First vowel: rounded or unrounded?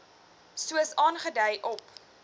rounded